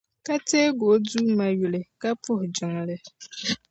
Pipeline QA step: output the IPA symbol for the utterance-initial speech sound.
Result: k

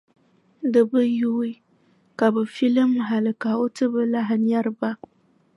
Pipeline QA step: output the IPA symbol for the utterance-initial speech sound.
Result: d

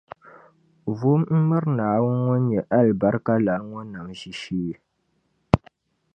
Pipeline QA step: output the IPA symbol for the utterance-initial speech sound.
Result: v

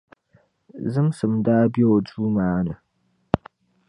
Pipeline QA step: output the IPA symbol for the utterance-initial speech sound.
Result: z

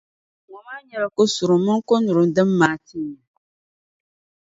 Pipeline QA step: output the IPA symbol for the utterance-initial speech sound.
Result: ŋ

